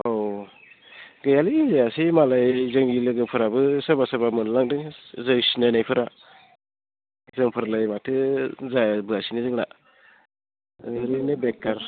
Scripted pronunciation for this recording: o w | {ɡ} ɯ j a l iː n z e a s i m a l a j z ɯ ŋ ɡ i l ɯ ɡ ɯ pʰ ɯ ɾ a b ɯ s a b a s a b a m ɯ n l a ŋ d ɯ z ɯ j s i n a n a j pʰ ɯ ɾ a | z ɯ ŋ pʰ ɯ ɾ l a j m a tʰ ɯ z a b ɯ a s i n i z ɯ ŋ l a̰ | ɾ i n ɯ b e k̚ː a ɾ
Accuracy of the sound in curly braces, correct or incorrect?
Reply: correct